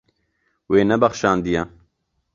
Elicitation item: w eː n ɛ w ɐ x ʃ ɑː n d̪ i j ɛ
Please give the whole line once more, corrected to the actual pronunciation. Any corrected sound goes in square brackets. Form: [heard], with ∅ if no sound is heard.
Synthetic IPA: w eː n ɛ [b] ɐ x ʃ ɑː n d̪ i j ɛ

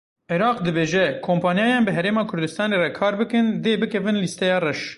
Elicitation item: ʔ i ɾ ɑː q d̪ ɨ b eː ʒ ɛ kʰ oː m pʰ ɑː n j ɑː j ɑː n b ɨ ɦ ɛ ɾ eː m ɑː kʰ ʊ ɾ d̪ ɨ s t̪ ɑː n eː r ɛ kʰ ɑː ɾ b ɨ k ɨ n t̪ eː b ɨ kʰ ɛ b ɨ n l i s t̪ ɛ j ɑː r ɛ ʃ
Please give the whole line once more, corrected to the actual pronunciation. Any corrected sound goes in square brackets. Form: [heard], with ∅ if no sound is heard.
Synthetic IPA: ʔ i ɾ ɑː q d̪ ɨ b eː ʒ ɛ kʰ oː m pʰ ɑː n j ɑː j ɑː n b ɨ ɦ ɛ ɾ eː m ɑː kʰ ʊ ɾ d̪ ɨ s t̪ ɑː n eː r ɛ kʰ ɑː ɾ b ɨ k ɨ n [d̪] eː b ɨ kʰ ɛ [v] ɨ n l i s t̪ ɛ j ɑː r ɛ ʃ

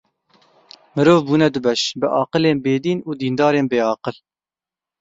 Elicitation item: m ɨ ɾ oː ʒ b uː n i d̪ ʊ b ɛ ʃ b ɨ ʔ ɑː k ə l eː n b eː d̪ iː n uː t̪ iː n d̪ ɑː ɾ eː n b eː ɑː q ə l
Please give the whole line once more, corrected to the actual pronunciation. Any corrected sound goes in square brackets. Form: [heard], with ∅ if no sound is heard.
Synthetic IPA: m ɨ ɾ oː [v] b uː n [ɛ] d̪ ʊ b ɛ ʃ b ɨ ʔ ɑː [q] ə l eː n b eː d̪ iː n uː [d̪] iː n d̪ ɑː ɾ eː n b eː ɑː q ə l

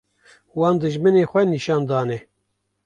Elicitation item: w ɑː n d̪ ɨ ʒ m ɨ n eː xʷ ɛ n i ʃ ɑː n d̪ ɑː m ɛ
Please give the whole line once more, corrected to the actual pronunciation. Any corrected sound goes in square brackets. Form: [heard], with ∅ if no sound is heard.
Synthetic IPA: w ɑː n d̪ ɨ ʒ m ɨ n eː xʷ ɛ n i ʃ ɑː n d̪ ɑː [n] ɛ

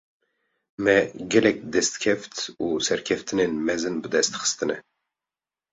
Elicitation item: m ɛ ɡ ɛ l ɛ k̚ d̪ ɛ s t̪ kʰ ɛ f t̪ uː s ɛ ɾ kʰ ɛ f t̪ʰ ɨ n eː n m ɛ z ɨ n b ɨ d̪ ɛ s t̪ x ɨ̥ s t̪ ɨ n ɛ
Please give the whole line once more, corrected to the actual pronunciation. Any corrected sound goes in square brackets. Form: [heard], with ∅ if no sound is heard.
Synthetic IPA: m ɛ ɡ ɛ l ɛ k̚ d̪ ɛ s t̪ kʰ ɛ f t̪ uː s ɛ ɾ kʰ ɛ f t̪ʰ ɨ n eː n m ɛ z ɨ n b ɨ d̪ ɛ s t̪ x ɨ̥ s t̪ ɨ n ɛ

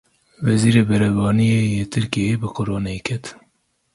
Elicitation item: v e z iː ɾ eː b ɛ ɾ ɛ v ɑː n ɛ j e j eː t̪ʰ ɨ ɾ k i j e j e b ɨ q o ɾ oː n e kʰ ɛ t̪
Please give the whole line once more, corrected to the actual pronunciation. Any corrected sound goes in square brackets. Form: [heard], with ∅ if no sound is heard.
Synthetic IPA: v [ɛ] z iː ɾ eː b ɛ ɾ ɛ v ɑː n [i] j e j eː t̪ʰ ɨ ɾ k i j e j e b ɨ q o ɾ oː n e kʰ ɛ t̪

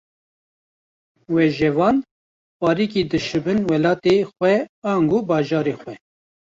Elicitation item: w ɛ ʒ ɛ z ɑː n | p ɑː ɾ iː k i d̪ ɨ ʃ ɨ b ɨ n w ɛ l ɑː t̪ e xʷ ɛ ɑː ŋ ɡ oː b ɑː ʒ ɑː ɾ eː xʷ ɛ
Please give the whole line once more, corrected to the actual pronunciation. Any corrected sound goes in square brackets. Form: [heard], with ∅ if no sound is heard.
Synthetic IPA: w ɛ ʒ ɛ [v] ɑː n | p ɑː ɾ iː k i d̪ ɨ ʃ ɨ b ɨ n w ɛ l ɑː t̪ e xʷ ɛ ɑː ŋ ɡ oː b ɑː ʒ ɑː ɾ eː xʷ ɛ

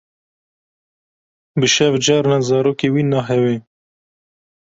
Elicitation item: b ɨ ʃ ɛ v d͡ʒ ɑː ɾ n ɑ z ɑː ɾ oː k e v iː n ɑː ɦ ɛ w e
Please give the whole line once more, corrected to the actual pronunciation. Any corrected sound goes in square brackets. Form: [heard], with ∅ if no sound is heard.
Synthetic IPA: b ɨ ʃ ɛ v d͡ʒ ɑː ɾ n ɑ z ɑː ɾ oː k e [w] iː n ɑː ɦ ɛ w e

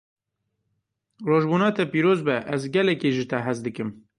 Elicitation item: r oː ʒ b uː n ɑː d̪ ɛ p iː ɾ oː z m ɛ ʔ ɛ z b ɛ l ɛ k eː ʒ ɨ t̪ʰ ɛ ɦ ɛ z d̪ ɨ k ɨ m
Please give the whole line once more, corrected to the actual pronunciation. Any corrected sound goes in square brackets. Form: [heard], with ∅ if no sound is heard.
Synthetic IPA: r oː ʒ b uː n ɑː [t̪] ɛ p iː ɾ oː z [b] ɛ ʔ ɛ z [ɡ] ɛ l ɛ k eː ʒ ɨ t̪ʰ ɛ ɦ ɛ z d̪ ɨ k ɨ m

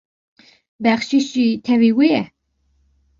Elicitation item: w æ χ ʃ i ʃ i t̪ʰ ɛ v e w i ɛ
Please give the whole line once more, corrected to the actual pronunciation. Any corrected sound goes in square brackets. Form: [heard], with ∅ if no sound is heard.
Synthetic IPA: [b] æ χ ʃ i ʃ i t̪ʰ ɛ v [i] w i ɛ

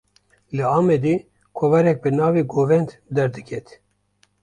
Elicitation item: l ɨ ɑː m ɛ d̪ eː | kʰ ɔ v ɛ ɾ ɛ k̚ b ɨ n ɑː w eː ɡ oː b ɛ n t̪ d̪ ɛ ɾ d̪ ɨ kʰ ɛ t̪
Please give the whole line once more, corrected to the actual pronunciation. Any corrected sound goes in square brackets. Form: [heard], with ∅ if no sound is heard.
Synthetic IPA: l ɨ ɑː m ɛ d̪ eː | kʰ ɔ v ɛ ɾ ɛ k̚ b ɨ n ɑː [v] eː ɡ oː [v] ɛ n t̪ d̪ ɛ ɾ d̪ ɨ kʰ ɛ t̪

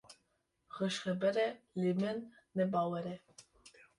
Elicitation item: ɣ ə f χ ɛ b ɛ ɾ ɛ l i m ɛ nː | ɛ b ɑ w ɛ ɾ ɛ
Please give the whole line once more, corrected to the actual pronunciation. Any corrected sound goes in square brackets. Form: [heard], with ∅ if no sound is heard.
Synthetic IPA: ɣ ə [ʃ] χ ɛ b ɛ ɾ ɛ l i m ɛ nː | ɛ b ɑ w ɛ ɾ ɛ

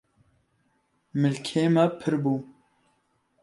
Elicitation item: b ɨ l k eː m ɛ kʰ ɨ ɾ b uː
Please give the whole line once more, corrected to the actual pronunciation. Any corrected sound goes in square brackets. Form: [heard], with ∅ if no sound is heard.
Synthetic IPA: [m] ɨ l [kʰ] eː m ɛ [pʰ] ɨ ɾ b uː

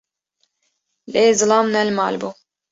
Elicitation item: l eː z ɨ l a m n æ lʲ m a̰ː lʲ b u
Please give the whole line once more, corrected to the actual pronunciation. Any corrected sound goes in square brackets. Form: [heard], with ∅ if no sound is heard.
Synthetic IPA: l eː z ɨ l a m n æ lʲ m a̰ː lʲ b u

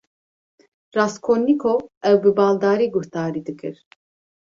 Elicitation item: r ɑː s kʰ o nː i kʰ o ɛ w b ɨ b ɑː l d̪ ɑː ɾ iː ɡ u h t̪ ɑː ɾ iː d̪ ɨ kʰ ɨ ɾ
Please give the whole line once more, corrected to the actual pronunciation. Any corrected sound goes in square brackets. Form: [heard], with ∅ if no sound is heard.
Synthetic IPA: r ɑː s kʰ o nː i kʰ o ɛ w b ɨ b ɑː l d̪ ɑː ɾ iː ɡ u h t̪ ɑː ɾ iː d̪ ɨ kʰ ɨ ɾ

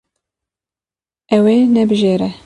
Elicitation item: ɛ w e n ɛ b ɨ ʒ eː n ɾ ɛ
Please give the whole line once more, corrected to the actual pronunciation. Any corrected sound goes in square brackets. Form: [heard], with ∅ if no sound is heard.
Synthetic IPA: ɛ w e n ɛ b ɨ ʒ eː [∅] ɾ ɛ

